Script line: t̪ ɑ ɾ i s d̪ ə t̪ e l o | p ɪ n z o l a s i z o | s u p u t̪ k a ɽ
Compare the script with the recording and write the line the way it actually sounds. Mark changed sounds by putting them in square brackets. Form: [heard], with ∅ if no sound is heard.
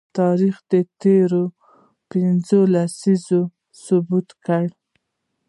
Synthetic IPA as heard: t̪ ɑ ɾ i [x] d̪ ə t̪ e [ɾ] o | p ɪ n z o l a s i z o | s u [b] u t̪ k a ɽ